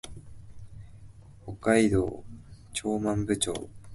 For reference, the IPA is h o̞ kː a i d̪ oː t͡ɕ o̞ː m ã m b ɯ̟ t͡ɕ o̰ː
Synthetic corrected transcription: h o̞ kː a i d̪ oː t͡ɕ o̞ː m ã m b ɯ̟ t͡ɕ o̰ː